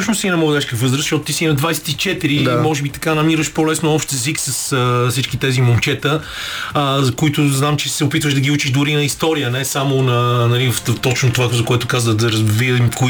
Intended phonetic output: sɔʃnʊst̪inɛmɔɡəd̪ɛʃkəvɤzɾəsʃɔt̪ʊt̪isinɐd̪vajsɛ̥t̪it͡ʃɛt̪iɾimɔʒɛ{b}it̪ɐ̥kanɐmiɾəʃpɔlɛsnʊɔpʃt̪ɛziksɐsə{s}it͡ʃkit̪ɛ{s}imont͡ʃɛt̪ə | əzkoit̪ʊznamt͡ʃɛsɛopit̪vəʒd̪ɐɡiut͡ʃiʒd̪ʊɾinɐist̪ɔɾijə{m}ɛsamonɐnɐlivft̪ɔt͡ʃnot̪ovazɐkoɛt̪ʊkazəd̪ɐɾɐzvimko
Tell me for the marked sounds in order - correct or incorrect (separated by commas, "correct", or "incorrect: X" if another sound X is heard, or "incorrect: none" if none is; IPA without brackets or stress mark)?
correct, correct, incorrect: z, incorrect: n